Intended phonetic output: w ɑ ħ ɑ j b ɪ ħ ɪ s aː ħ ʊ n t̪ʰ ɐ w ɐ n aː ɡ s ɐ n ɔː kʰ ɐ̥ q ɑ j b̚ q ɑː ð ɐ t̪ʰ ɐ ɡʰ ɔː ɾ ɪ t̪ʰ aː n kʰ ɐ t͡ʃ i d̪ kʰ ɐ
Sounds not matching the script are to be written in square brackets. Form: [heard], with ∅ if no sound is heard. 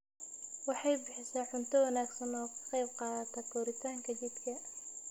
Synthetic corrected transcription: w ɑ ħ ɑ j b ɪ ħ ɪ s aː ħ ʊ n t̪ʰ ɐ w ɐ n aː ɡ s ɐ n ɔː kʰ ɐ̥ q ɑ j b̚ q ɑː ð ɐ t̪ʰ ɐ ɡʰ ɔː ɾ ɪ t̪ʰ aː [ŋ] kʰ ɐ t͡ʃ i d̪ kʰ ɐ